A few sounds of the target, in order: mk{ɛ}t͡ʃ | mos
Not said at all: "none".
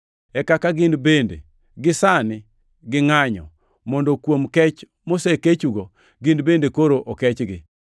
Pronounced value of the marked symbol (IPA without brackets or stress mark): ɛ